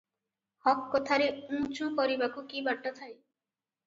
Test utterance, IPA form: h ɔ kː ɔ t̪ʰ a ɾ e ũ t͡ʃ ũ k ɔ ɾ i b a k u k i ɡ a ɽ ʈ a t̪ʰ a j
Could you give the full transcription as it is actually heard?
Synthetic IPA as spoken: h ɔ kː ɔ t̪ʰ a ɾ e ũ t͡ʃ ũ k ɔ ɾ i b a k u k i b a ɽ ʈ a t̪ʰ a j